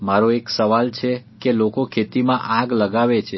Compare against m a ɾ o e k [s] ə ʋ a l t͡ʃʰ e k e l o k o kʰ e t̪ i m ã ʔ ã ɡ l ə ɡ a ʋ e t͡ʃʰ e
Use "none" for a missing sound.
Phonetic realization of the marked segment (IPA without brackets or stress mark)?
s